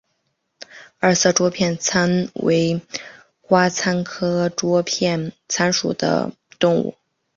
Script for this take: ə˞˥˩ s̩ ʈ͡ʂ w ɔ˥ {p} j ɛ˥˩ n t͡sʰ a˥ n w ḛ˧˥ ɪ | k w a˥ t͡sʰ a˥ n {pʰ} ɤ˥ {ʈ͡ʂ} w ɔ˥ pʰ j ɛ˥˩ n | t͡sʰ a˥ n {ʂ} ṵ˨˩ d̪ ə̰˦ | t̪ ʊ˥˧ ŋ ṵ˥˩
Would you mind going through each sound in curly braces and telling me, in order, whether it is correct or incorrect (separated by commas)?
incorrect, incorrect, correct, correct